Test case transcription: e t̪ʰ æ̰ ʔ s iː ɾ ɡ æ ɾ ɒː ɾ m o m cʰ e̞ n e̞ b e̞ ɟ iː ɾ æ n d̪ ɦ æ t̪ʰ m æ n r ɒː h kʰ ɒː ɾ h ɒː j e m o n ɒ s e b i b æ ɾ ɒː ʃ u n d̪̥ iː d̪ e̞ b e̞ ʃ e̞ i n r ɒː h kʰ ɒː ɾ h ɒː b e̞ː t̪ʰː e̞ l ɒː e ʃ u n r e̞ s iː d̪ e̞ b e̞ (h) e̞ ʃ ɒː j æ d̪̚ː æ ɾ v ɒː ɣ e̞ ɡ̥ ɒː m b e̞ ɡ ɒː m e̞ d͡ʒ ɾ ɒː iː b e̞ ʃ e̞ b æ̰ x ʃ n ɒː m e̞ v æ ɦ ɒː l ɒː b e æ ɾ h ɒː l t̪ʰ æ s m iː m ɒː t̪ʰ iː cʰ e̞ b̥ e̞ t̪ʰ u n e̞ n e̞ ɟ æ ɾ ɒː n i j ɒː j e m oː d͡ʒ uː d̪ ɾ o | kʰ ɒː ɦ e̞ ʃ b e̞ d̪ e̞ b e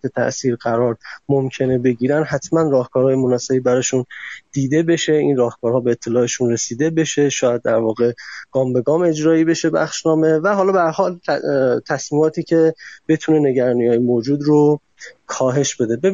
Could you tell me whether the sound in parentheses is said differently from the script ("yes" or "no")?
yes